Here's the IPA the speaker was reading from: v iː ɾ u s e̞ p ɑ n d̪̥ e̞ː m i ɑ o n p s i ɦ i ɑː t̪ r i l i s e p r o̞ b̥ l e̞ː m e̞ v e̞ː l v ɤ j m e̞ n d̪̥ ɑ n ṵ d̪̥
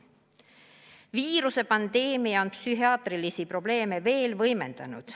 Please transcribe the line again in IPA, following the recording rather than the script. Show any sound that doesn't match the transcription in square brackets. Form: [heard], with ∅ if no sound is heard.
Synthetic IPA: v iː ɾ u s e̞ p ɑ n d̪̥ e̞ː m i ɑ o n p s [y] ɦ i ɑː t̪ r i l i s [i] p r o̞ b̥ l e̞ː m e̞ v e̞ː l v ɤ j m e̞ n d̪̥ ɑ n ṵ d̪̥